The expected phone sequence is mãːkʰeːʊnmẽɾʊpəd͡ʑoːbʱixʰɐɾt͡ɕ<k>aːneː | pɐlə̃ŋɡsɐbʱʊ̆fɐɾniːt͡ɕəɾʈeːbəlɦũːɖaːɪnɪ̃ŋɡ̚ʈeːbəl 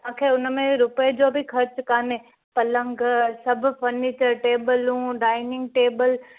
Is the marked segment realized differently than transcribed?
no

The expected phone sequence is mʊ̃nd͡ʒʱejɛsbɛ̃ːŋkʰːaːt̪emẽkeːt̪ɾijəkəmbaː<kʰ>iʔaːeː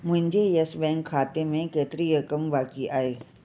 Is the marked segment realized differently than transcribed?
yes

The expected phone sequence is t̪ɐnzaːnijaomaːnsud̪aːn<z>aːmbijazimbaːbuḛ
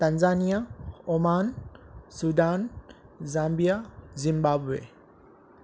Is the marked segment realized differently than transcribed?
no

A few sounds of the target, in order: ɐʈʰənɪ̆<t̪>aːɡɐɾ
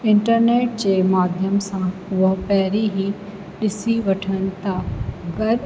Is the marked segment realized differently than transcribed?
no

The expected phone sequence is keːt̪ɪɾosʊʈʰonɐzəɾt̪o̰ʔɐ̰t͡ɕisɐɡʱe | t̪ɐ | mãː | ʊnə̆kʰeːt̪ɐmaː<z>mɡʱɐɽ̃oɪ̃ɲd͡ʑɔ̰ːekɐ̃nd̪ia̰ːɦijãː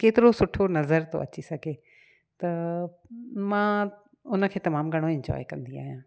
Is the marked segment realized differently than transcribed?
yes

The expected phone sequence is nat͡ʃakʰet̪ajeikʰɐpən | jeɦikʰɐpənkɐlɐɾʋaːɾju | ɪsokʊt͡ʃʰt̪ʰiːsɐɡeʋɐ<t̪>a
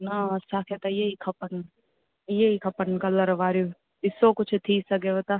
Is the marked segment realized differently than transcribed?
no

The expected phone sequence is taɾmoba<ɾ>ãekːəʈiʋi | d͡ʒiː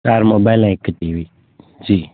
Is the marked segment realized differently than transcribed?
yes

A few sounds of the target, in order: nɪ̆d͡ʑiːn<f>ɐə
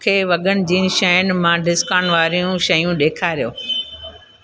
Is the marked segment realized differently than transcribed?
yes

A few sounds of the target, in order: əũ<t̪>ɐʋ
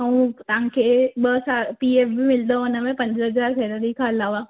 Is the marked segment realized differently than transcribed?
no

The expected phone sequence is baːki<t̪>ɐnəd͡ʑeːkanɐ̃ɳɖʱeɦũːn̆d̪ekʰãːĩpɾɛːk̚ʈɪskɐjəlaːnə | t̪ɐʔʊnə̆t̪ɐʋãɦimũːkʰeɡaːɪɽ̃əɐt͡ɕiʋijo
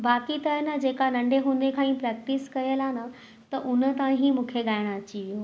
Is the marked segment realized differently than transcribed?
no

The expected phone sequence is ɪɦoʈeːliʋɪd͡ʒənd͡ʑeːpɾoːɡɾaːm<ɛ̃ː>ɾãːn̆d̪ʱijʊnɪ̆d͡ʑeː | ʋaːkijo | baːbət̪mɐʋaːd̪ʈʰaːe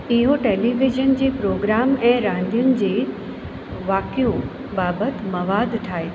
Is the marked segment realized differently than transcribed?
no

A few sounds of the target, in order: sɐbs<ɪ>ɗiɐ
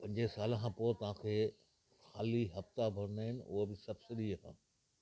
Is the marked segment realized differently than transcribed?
no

